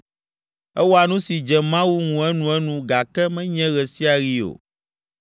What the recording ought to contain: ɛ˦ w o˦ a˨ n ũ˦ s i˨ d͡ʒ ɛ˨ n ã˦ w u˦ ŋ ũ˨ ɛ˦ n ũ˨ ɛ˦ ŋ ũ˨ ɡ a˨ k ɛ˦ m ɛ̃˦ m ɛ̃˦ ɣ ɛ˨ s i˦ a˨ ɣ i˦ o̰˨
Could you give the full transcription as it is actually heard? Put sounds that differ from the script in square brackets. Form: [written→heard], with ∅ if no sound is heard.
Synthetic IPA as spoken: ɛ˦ w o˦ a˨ n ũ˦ s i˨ d͡ʒ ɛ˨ [n→m] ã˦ w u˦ ŋ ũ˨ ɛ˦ n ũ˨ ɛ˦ [ŋ→n] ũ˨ ɡ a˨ k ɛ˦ m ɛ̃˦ [m→ɲ] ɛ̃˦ ɣ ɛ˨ s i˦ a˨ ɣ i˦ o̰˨

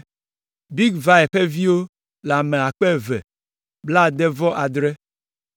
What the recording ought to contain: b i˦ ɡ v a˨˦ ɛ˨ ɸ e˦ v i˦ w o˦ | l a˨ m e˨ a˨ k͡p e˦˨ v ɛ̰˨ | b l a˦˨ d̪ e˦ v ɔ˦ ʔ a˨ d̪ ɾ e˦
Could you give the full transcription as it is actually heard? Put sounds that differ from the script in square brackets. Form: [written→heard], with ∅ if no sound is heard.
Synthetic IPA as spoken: b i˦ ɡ v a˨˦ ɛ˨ ɸ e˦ v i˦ w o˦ | l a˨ m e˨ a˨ k͡p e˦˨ v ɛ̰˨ | b l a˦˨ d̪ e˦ v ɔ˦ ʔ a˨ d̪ ɾ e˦

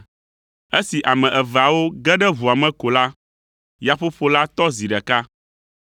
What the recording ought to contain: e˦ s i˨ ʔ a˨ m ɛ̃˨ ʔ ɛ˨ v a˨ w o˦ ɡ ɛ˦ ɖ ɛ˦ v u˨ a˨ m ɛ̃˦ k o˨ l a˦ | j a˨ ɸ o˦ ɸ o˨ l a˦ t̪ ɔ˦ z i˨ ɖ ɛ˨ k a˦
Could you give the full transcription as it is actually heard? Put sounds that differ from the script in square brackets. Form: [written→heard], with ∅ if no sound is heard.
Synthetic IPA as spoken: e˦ s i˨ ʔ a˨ m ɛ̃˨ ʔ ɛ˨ v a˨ w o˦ ɡ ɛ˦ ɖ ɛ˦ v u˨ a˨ m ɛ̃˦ k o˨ l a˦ | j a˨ ɸ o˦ ɸ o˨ l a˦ t̪ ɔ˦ z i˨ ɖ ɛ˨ k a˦

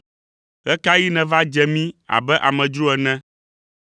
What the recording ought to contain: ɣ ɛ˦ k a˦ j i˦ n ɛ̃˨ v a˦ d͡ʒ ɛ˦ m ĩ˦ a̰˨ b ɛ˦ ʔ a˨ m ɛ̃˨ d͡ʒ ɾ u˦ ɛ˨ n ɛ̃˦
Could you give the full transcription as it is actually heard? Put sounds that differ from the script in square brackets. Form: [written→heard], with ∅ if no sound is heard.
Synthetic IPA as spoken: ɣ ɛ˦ k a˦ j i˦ n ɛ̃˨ v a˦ d͡ʒ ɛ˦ m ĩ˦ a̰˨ b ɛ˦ ʔ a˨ m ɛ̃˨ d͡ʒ ɾ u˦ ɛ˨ n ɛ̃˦

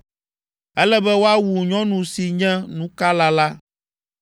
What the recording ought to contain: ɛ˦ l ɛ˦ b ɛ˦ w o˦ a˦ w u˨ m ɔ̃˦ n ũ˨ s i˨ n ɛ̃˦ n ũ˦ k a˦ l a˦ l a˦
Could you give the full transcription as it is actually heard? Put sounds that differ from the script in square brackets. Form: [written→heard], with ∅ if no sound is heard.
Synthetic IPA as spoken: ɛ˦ l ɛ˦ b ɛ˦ w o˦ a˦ w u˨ [m→ɲ] ɔ̃˦ n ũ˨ s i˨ [n→ɲ] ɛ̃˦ n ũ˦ k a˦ l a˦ l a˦

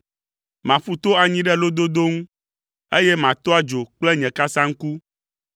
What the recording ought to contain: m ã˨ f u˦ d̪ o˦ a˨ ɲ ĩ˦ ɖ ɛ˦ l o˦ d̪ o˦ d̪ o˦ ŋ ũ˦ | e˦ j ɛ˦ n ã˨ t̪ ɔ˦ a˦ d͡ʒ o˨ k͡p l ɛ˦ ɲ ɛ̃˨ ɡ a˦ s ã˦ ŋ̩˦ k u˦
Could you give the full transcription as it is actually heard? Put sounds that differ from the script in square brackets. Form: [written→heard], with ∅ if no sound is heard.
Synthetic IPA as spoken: m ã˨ f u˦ [d̪→t̪] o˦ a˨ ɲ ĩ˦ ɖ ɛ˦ l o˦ d̪ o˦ d̪ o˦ ŋ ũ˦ | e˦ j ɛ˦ [n→m] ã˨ t̪ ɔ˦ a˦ d͡ʒ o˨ k͡p l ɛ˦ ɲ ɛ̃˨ [ɡ→k] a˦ s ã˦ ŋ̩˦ k u˦

